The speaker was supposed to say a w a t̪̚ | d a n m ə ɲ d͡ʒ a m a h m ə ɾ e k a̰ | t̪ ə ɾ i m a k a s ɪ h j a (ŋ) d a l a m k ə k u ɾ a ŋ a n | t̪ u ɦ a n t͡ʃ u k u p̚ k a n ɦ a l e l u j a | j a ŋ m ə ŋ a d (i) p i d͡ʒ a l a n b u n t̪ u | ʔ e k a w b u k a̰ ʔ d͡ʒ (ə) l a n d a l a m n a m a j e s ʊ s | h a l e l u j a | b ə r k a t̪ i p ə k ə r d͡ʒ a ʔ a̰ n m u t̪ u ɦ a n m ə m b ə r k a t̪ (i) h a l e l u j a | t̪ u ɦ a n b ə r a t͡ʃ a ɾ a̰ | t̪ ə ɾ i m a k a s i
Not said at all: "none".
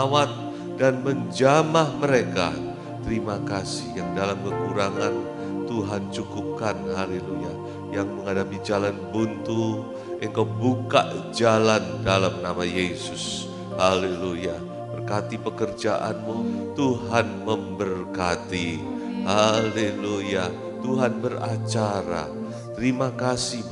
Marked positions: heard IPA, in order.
ŋ, a, a, i

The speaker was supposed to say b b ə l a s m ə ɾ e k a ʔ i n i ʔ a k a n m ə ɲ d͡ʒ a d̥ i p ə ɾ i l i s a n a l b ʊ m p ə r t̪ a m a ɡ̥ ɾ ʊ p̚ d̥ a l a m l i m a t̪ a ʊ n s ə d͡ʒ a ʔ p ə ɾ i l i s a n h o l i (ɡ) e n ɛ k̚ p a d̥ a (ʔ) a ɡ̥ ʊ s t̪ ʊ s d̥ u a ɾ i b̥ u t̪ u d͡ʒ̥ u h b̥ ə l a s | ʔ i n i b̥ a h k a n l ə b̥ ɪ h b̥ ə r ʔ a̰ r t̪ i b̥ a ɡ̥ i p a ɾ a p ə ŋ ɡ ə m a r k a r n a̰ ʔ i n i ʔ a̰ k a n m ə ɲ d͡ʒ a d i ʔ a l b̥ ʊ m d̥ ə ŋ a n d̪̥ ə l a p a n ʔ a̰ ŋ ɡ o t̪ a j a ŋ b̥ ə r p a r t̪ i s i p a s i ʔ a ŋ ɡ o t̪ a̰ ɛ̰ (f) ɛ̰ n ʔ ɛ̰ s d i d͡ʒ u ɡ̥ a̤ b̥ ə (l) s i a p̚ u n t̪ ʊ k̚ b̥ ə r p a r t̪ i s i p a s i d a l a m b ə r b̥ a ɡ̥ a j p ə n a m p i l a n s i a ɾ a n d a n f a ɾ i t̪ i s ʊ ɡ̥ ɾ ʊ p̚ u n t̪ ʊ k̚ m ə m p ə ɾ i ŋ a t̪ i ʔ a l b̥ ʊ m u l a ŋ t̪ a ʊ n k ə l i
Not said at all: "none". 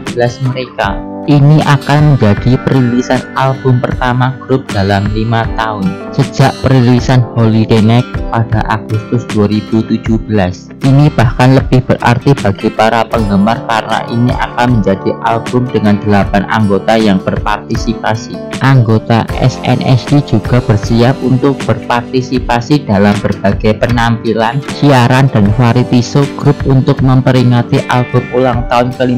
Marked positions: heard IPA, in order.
d, ʔ, s, r

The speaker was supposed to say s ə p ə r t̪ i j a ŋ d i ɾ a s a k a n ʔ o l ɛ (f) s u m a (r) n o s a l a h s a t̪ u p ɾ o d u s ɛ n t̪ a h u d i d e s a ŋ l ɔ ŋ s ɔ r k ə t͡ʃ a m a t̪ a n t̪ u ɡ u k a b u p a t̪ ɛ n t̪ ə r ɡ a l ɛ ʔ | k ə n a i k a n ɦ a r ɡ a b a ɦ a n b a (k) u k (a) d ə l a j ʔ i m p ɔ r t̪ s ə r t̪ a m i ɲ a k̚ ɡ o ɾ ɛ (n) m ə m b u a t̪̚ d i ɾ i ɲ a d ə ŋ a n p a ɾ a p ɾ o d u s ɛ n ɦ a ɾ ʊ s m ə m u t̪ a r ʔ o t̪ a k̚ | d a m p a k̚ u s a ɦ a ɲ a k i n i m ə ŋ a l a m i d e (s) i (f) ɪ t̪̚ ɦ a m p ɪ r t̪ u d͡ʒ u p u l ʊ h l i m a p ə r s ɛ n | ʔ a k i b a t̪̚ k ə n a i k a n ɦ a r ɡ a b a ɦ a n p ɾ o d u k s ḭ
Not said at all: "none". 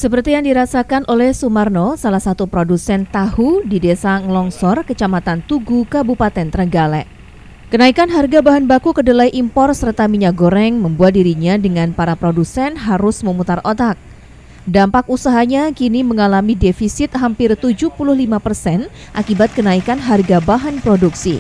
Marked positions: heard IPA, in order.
h, r, k, ə, ŋ, f, s

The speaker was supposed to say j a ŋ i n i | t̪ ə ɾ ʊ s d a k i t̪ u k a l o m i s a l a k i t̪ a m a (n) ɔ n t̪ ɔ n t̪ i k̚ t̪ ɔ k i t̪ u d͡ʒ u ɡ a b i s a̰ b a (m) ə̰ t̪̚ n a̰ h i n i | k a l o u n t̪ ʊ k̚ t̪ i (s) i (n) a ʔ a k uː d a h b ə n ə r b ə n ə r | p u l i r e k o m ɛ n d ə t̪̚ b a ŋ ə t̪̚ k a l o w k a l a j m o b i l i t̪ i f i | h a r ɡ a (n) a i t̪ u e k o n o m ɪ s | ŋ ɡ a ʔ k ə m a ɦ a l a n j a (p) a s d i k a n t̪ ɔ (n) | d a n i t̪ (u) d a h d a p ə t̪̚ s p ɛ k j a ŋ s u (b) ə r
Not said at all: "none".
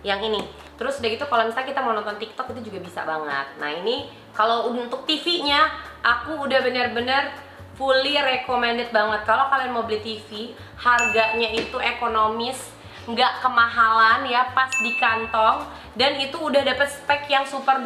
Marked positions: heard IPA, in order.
n, ŋ, f, ɲ, ɲ, p, ŋ, uː, p

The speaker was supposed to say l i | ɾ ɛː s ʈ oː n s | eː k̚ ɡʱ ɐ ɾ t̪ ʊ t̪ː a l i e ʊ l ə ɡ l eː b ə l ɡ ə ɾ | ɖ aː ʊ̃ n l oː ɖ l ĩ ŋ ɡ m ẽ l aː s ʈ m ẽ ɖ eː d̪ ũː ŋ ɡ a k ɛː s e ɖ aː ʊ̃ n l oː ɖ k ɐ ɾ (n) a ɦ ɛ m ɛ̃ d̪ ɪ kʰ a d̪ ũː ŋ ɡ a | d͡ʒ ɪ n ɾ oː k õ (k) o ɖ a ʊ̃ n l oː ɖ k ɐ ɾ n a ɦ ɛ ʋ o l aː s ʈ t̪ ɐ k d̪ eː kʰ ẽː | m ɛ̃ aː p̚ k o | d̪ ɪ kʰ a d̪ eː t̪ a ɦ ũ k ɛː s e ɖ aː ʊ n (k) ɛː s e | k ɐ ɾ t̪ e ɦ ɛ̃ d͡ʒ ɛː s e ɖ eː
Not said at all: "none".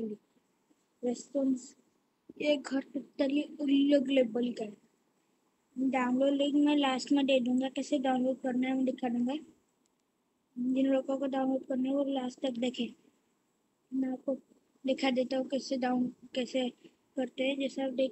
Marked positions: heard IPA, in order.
n, k, k

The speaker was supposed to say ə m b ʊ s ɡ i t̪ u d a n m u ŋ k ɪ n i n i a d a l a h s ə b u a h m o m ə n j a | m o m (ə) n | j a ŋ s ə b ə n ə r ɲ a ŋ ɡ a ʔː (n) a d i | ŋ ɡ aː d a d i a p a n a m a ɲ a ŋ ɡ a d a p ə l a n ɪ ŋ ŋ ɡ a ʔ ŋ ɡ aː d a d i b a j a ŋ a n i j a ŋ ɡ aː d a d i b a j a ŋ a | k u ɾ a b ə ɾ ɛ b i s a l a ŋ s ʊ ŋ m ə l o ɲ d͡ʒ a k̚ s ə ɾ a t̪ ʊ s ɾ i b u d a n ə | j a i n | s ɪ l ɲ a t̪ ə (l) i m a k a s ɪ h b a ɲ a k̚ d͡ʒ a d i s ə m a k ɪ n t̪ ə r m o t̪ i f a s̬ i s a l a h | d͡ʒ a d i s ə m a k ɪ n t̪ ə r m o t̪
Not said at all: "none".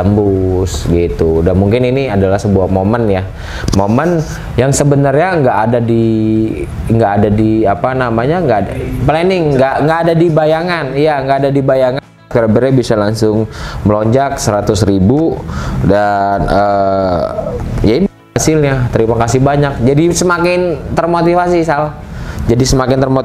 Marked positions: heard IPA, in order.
ə, d, ɾ

